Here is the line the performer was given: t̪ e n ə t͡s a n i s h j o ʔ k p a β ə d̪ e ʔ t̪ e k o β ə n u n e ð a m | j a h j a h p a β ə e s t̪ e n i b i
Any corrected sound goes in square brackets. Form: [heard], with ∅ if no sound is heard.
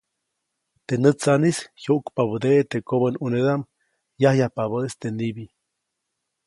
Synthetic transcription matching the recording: t̪ e n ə t͡s a n i s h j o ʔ k p a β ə d̪ e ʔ t̪ e k o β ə n u n e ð a m | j a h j a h p a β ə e s t̪ e n i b i